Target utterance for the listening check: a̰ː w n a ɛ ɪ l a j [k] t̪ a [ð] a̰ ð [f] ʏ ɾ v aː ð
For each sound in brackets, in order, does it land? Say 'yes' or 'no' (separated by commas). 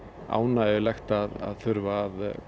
no, yes, no